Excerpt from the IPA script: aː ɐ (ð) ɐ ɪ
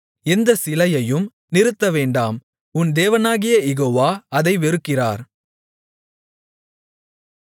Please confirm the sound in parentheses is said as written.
yes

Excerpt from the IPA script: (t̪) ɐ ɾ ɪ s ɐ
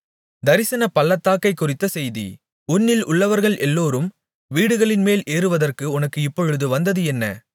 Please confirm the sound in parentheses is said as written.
no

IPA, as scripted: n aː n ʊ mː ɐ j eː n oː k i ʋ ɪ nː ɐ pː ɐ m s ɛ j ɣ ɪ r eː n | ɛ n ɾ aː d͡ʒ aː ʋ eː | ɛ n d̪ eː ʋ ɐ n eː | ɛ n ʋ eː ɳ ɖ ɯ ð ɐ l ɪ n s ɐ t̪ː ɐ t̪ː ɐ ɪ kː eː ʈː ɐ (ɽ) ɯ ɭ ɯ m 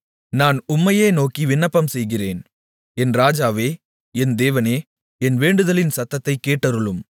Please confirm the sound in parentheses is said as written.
no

